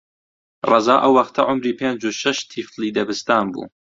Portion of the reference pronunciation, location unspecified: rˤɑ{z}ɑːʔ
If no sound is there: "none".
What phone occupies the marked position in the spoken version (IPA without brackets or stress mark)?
z